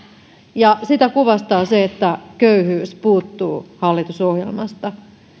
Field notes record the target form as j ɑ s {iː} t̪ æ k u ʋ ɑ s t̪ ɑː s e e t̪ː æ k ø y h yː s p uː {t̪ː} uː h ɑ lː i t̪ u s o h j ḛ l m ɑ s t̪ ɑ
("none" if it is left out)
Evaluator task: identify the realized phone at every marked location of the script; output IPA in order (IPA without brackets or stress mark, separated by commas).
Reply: i, t̪ː